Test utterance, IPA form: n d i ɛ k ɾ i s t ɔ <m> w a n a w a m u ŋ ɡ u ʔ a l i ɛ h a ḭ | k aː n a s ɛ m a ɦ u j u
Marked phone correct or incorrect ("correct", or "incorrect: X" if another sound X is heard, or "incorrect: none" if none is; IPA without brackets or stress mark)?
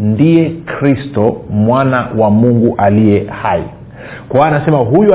correct